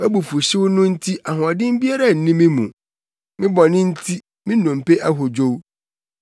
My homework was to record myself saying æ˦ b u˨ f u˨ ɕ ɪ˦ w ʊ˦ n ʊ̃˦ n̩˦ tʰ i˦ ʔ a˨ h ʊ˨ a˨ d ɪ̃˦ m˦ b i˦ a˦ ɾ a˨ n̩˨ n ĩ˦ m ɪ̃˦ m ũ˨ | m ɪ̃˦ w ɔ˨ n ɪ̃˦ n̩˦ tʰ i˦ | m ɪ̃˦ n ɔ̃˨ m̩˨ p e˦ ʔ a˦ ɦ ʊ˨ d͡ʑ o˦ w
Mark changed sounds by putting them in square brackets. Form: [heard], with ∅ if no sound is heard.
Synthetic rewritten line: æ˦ b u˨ f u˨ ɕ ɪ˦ w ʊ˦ n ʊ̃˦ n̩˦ tʰ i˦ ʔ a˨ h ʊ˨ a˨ d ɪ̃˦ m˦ b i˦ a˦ ɾ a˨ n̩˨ n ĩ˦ m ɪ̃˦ m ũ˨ | m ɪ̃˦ [b] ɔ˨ n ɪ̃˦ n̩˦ tʰ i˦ | m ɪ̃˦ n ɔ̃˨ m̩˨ p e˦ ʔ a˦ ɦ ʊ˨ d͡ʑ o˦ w